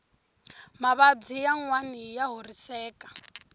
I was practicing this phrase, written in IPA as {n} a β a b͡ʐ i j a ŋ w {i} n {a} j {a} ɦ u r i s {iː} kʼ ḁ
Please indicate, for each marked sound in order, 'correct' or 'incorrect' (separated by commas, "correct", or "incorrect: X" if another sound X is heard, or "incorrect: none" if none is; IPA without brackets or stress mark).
incorrect: m, incorrect: a, incorrect: i, correct, incorrect: ɛː